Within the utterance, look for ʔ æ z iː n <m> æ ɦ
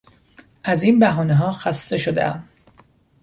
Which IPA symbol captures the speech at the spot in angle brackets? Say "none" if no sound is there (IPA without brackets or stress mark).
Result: b